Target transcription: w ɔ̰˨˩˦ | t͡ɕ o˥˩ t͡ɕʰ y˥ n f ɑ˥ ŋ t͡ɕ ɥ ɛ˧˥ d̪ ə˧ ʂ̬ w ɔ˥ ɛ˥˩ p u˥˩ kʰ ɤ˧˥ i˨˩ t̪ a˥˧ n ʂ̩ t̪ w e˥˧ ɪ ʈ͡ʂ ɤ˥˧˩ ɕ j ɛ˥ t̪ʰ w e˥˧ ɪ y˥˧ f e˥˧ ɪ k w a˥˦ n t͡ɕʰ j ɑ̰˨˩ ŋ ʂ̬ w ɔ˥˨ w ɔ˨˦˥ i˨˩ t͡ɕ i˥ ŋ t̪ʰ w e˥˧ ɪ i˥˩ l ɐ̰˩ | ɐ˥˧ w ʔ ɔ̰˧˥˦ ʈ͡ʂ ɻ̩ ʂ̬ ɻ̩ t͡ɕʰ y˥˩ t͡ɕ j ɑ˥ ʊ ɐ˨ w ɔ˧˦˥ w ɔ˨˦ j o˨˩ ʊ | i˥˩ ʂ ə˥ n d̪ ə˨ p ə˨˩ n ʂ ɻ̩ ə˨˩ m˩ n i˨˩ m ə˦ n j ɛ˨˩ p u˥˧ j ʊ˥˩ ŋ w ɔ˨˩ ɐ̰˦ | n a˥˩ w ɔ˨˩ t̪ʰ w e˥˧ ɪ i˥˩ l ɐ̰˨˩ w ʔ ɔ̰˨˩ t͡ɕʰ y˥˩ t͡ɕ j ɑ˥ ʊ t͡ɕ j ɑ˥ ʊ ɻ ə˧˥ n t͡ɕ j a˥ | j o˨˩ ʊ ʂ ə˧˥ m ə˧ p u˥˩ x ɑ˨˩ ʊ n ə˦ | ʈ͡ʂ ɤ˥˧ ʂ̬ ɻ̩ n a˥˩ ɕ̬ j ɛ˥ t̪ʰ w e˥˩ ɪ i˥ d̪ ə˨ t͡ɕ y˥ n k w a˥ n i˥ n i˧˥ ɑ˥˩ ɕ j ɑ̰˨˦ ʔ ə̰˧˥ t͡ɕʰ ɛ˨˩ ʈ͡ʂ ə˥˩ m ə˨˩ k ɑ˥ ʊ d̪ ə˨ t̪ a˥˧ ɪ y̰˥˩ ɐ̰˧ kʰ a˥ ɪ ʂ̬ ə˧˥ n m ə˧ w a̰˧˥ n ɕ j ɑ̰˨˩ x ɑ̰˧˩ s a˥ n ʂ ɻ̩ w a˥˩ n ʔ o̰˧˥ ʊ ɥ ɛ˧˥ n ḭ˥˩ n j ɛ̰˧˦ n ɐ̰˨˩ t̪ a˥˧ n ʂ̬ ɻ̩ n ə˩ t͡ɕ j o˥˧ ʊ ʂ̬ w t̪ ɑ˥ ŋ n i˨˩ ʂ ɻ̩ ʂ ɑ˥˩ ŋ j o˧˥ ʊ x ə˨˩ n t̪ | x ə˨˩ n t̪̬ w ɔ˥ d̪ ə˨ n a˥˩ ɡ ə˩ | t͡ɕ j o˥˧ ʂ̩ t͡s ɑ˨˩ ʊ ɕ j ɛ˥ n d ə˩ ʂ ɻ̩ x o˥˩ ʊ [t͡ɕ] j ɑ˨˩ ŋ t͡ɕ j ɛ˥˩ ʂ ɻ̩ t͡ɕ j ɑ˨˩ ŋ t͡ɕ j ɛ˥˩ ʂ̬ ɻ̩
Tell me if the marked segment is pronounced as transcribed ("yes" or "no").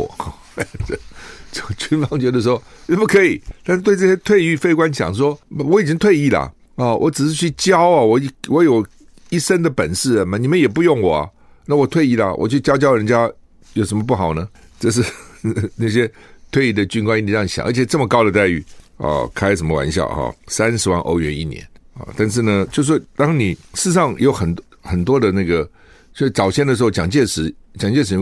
yes